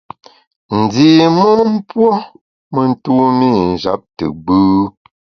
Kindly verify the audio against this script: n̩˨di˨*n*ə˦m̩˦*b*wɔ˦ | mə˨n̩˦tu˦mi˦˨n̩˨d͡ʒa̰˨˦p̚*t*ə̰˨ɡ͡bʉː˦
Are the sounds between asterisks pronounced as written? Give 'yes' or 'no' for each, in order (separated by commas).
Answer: no, no, yes